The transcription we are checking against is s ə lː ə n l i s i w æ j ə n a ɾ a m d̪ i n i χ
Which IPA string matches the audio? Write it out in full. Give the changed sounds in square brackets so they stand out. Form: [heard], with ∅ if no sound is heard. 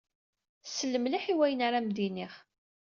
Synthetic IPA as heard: s ə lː ə [m] l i [ħ] i w æ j ə n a ɾ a m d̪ i n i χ